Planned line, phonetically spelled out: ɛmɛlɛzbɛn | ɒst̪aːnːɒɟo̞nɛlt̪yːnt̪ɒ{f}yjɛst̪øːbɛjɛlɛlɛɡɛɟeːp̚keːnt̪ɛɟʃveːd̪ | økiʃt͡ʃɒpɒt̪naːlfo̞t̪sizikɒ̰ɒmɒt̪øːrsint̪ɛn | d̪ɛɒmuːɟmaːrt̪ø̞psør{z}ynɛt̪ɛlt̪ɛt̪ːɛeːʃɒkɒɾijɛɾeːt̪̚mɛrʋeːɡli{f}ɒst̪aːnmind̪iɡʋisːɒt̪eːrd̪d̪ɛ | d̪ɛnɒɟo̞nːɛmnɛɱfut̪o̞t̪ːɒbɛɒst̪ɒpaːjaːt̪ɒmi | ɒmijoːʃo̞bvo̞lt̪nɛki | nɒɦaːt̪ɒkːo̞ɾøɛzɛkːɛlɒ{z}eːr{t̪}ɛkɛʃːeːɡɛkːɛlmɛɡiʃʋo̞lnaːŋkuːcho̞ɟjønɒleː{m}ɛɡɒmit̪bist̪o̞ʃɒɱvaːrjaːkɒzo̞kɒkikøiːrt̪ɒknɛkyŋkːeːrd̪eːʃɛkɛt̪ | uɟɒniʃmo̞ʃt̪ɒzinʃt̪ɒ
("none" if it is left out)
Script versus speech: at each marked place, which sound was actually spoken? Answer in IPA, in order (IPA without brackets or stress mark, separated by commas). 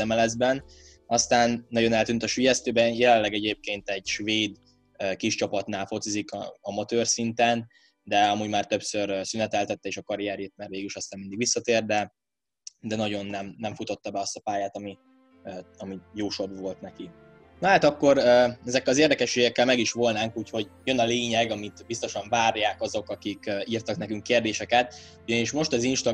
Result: ʃ, s, ʃ, z, d̪, ɲ